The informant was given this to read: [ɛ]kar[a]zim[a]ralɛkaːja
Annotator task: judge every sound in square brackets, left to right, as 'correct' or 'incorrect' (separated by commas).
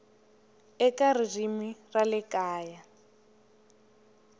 correct, incorrect, incorrect